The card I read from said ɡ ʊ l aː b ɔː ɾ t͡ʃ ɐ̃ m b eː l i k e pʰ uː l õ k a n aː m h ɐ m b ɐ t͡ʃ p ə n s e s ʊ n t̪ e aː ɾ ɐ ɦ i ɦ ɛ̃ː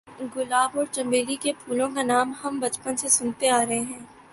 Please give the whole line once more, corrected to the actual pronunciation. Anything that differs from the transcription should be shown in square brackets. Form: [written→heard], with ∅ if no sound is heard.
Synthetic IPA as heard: ɡ ʊ l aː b ɔː ɾ t͡ʃ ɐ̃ m b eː l i k e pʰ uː l õ k a n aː m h ɐ m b ɐ t͡ʃ p ə n s e s ʊ n t̪ e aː ɾ ɐ ɦ [i→e] ɦ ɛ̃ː